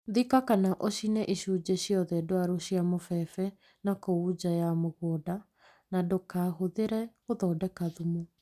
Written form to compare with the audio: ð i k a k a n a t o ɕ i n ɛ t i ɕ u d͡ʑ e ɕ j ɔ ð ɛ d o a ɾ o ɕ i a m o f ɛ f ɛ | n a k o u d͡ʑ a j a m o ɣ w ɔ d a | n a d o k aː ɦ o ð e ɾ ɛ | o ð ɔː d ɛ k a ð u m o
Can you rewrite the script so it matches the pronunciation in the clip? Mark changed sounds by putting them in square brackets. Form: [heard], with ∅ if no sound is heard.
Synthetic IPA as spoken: ð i k a k a n a [ʔ] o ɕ i n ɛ [ʔ] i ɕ u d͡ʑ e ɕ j ɔ ð ɛ d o a ɾ o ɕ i a m o f ɛ f ɛ | n a k o u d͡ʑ a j a m o ɣ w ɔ d a | n a d o k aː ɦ o ð e ɾ ɛ | o ð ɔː d ɛ k a ð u m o